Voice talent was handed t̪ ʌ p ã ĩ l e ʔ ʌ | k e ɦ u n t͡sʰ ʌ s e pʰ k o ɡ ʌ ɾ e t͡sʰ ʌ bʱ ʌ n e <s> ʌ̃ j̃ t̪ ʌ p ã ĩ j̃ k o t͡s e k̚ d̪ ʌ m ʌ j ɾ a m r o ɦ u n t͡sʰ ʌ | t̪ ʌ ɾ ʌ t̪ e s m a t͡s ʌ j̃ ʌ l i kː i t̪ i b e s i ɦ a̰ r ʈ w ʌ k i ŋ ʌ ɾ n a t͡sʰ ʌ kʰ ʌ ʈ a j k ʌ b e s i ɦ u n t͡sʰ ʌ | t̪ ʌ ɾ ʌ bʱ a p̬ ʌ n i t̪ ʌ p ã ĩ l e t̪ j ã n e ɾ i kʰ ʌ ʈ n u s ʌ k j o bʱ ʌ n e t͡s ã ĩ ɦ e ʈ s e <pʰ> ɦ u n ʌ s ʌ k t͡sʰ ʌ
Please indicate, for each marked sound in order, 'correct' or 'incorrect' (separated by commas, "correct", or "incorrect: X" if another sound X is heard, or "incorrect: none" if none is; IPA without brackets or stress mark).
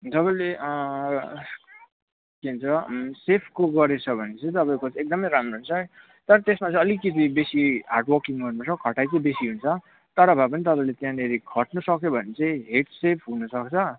incorrect: t͡s, correct